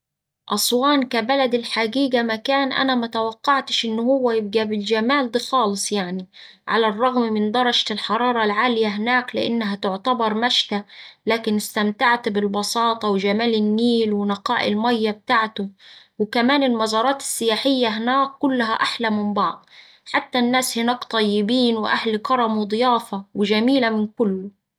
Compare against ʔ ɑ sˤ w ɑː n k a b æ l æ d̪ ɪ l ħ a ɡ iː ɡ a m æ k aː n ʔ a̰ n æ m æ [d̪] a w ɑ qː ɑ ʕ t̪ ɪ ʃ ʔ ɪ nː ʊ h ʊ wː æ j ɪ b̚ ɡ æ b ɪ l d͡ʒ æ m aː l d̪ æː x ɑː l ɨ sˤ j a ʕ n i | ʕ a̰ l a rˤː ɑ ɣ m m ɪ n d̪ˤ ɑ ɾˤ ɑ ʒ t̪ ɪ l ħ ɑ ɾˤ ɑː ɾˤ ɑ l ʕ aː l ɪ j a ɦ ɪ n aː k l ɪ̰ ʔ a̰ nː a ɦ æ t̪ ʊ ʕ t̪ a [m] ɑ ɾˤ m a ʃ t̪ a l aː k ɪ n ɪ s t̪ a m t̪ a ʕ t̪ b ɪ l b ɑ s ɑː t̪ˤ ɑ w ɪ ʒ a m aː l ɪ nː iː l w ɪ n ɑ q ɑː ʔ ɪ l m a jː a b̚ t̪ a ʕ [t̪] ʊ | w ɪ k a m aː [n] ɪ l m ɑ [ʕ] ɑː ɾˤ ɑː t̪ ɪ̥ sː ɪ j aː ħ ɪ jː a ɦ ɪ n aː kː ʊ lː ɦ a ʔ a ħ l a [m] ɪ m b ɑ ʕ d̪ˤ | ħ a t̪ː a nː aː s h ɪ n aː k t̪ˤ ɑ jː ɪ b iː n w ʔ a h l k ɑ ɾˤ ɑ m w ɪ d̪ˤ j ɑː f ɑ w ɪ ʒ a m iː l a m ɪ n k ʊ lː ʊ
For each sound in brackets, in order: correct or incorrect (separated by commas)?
incorrect, incorrect, correct, correct, incorrect, correct